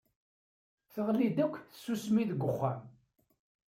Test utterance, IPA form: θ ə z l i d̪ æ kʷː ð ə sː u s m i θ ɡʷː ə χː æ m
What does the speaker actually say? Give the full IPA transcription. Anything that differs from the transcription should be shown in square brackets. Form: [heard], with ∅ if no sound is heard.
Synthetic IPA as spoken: θ ə [ʁ] l i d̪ æ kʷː [θ] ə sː u s m i [ð] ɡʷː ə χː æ m